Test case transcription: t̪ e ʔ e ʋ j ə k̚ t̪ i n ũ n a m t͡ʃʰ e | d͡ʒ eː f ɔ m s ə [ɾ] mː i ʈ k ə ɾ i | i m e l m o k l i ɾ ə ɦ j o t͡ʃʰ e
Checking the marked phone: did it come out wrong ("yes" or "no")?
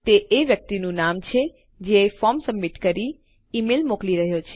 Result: yes